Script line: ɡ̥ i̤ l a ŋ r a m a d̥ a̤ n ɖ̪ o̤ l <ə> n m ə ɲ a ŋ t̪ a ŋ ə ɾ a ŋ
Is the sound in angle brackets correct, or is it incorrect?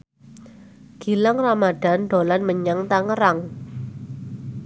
incorrect